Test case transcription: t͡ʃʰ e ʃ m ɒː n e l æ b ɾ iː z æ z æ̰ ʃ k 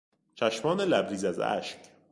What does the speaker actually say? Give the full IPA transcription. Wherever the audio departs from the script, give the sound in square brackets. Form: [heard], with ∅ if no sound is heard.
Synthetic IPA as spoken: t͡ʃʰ [æ] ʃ m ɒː n e l æ b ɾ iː z æ z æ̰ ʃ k